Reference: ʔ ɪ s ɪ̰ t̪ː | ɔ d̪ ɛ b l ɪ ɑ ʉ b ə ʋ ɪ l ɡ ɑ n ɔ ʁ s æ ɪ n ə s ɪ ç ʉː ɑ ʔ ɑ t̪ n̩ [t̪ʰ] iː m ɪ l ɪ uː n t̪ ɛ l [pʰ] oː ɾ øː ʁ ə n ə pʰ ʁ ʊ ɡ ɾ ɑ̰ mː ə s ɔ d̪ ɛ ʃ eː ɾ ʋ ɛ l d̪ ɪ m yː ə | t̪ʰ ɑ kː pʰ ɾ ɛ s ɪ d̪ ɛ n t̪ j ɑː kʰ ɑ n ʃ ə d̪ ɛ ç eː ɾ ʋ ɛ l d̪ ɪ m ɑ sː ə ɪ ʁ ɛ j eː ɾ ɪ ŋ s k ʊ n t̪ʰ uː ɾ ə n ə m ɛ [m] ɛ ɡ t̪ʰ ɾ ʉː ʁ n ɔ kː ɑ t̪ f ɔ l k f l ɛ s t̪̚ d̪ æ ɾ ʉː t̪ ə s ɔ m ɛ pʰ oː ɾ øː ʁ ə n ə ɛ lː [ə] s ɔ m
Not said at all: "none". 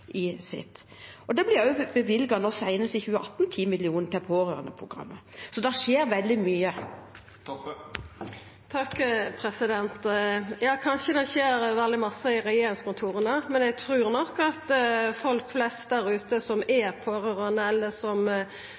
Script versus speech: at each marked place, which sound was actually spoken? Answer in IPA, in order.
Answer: t̪ʰ, pʰ, n, ə

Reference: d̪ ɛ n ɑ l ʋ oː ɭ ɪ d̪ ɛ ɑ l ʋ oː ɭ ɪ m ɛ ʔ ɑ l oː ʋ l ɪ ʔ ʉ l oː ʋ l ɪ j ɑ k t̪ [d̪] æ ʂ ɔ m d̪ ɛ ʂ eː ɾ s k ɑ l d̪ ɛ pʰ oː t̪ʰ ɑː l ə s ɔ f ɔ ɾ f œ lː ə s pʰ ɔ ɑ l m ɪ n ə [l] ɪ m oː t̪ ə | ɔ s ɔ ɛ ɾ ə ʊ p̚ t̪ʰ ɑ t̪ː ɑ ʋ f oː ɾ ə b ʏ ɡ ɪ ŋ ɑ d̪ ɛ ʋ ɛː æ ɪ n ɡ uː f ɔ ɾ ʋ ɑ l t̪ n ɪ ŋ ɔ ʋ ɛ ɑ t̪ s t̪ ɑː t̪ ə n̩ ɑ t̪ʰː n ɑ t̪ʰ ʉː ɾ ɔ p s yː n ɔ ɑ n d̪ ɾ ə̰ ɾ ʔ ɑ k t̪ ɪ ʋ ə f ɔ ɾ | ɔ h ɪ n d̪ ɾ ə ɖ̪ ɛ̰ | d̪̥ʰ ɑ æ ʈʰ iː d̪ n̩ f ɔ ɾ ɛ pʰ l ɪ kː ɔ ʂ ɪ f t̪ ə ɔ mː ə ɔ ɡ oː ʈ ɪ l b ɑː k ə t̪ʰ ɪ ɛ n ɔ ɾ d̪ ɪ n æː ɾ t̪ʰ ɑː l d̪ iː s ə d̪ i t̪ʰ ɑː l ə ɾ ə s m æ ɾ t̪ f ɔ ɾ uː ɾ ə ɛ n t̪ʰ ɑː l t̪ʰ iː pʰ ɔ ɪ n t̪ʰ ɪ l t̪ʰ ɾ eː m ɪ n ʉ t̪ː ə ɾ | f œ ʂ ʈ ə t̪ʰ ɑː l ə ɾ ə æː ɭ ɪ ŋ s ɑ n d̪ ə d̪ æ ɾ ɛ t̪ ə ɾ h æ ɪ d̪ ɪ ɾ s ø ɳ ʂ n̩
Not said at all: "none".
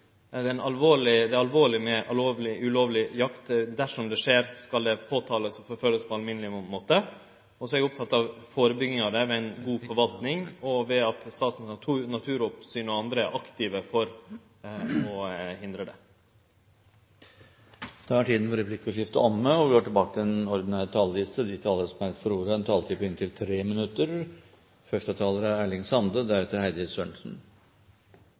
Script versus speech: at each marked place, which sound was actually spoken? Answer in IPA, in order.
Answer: d̪, l

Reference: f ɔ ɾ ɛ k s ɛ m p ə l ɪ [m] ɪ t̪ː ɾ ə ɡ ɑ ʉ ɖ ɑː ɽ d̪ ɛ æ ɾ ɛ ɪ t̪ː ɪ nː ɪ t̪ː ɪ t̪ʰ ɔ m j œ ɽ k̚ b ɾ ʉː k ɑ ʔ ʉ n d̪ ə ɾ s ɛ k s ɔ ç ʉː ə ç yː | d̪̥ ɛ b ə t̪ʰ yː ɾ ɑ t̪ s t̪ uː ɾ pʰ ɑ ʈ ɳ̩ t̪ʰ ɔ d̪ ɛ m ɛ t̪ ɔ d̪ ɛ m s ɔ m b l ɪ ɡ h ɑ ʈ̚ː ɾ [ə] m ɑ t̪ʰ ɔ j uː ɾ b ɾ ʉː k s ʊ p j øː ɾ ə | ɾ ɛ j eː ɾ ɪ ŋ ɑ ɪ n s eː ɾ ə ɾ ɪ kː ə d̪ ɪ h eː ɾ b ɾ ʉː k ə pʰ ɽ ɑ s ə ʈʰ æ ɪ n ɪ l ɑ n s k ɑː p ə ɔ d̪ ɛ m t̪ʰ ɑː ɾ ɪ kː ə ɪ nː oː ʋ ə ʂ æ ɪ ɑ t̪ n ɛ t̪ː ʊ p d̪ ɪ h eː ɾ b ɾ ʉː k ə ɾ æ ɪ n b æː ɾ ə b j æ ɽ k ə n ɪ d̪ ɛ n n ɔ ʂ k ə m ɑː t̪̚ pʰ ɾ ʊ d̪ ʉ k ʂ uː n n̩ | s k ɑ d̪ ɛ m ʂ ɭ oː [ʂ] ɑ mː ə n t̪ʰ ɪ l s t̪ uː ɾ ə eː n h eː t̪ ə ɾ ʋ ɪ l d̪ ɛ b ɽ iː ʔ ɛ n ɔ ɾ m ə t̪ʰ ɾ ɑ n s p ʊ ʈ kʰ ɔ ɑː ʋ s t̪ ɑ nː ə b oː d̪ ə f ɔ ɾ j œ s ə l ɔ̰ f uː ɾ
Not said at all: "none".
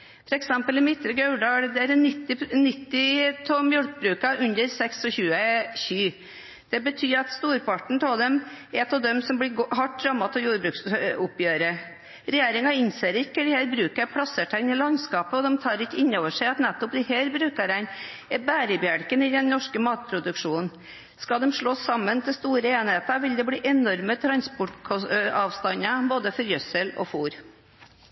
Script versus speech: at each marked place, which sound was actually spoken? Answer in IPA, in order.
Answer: m, ɑ, s

